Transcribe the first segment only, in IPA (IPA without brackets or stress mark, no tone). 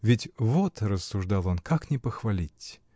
vʲ